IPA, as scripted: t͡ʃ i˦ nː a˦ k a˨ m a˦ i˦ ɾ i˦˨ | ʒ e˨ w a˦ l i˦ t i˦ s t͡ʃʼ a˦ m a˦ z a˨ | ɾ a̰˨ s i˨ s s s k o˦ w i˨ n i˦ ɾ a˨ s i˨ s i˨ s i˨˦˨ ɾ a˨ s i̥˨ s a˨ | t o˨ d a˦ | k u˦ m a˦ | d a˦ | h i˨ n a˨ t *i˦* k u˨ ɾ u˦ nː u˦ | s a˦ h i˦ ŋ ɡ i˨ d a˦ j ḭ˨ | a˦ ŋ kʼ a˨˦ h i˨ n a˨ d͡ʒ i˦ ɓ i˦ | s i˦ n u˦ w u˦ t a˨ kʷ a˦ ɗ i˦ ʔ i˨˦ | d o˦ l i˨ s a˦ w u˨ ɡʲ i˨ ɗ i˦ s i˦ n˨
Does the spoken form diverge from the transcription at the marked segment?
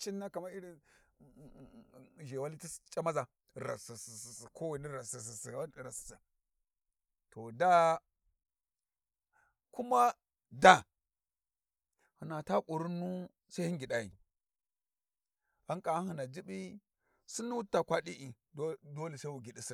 yes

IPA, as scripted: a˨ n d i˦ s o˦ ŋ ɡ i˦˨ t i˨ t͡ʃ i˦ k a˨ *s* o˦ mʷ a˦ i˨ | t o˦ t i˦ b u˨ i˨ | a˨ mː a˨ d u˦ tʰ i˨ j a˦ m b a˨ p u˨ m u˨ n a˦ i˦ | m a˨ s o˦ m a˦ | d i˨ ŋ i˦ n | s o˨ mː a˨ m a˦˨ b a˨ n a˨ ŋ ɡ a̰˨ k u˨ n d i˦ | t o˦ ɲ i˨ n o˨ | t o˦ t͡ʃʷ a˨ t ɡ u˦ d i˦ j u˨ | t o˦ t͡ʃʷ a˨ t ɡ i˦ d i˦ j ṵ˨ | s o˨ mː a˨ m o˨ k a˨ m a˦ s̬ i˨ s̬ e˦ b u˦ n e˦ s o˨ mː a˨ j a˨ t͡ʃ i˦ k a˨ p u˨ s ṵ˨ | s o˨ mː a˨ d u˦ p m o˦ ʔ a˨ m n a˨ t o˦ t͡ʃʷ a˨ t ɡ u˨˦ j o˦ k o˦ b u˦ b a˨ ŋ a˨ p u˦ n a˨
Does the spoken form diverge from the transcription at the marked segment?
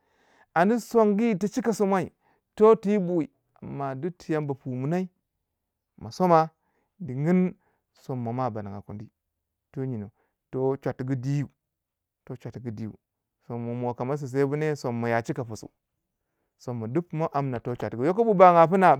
no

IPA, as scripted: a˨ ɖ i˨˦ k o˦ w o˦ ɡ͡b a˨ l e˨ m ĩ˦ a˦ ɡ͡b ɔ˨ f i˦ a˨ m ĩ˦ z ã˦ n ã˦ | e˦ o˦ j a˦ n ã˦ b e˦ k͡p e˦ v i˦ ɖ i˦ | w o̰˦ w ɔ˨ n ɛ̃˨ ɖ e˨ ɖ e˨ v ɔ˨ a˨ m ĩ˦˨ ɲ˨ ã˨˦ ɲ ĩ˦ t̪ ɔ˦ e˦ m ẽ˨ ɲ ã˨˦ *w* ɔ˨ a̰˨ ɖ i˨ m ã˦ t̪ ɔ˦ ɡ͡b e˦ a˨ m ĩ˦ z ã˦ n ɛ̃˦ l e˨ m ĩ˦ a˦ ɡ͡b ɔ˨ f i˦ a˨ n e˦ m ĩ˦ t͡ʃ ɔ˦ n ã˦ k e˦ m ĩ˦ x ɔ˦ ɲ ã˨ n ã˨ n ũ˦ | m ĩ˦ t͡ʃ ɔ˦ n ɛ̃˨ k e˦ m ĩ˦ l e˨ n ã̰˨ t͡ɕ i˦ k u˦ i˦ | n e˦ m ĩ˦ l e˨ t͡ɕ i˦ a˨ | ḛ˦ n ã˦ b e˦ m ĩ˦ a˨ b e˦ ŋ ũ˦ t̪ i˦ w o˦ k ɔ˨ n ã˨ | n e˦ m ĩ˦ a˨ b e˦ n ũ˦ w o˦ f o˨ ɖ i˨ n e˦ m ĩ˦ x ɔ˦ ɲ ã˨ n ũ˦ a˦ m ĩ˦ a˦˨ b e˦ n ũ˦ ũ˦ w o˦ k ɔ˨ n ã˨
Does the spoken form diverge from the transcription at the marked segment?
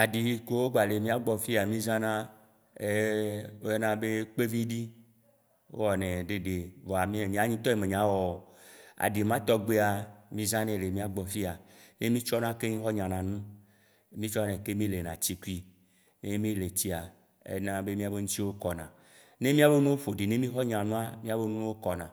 no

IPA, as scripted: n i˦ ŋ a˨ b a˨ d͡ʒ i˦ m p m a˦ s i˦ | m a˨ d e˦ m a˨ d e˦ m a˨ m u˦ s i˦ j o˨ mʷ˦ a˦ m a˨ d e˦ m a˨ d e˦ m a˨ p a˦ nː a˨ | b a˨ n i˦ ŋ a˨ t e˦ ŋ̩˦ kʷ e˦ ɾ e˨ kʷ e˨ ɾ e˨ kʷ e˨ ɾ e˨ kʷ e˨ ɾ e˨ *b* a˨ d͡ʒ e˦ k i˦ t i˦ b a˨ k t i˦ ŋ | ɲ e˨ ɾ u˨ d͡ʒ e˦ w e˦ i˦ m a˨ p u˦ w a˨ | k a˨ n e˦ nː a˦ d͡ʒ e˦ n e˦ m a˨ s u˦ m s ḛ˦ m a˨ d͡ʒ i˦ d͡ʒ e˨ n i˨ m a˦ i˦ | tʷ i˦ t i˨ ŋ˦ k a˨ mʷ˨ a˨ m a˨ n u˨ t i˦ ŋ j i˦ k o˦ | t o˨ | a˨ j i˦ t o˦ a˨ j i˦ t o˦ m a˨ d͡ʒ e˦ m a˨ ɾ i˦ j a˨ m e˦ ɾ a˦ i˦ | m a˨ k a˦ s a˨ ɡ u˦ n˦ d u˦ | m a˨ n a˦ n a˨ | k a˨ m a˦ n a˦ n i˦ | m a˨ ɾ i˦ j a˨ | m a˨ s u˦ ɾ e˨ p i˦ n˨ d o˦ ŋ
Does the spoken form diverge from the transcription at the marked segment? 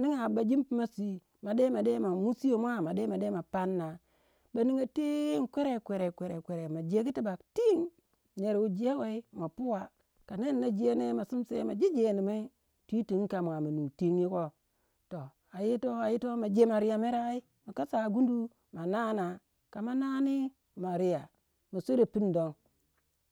yes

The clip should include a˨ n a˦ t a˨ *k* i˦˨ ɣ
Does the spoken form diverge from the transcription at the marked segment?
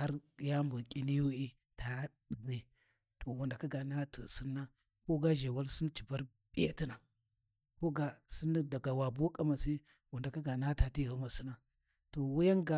yes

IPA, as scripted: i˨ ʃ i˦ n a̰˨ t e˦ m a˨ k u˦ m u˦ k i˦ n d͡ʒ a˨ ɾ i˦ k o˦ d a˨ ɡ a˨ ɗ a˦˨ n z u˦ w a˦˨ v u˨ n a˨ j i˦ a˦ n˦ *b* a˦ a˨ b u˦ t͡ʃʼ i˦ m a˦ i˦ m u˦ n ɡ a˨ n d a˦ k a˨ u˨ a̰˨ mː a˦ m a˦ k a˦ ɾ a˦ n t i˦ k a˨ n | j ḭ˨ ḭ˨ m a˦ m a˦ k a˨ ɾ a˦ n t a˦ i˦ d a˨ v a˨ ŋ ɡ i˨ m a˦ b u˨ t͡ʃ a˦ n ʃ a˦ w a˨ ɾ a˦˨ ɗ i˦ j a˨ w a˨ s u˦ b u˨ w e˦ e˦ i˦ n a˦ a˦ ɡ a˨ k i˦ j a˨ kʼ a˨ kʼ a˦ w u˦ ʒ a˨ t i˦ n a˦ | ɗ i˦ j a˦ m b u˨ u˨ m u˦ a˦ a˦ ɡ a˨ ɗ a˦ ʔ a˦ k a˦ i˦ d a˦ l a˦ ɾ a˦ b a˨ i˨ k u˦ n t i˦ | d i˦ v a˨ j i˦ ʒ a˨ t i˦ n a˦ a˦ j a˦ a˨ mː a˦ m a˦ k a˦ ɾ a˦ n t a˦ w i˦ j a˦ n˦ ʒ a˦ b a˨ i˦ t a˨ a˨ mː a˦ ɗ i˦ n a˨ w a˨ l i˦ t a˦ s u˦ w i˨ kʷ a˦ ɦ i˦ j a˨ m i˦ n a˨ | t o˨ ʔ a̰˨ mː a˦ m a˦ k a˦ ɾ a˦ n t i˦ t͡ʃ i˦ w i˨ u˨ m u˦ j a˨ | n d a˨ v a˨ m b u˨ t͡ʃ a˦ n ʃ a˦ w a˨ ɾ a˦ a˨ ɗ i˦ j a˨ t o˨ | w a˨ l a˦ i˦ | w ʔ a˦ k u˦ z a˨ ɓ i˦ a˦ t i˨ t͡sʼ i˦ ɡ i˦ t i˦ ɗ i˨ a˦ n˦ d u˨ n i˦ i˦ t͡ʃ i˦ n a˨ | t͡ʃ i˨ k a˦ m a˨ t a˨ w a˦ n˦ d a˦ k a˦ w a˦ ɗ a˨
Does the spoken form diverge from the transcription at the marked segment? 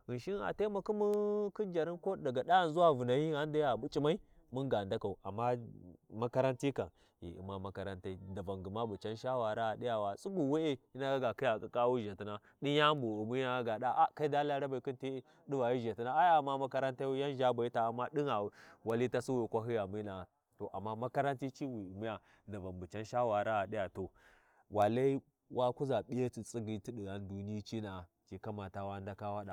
yes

